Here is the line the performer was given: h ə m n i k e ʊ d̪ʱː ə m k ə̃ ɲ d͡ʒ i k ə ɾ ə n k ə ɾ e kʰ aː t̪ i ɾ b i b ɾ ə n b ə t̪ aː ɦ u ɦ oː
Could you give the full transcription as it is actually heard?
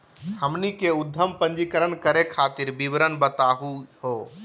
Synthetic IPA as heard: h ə m n i k e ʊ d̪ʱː ə m p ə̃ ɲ d͡ʒ i k ə ɾ ə n k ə ɾ e kʰ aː t̪ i ɾ b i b ɾ ə n b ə t̪ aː ɦ u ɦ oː